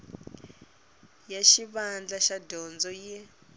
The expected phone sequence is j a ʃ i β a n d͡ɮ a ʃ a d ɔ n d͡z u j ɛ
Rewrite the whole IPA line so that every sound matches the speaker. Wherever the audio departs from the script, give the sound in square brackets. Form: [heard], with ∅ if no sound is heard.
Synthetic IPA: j a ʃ i β a n d͡ɮ a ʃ a d ɔ n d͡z [ɔ] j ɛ